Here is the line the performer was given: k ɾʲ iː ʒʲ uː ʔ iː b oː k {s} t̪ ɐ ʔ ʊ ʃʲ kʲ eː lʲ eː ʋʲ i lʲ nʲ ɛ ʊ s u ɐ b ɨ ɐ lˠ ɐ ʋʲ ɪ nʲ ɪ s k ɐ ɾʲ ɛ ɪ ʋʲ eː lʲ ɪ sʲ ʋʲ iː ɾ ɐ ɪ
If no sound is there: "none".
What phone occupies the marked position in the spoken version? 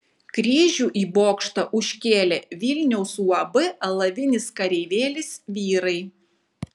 ʃ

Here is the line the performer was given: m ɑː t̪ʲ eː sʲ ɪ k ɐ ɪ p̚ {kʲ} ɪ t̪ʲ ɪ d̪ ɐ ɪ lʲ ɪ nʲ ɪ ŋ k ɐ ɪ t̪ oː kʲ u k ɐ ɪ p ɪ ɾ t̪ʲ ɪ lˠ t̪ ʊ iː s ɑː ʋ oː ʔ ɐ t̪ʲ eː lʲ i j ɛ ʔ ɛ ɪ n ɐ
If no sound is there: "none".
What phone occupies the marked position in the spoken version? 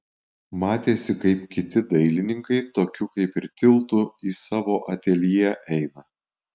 kʲ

